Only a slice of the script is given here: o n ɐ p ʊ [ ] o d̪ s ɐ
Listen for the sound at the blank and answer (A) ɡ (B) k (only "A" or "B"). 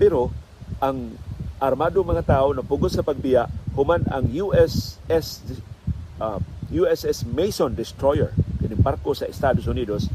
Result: A